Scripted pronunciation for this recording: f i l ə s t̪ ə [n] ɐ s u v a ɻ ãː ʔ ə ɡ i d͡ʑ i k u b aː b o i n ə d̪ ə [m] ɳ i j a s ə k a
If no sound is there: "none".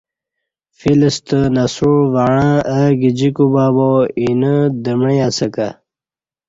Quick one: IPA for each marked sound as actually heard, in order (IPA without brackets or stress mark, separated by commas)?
n, m